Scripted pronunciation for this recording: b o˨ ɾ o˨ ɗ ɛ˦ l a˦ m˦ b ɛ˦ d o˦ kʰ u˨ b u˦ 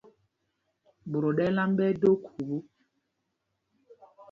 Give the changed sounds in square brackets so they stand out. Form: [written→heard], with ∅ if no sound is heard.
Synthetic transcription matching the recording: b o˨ ɾ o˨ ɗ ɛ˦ l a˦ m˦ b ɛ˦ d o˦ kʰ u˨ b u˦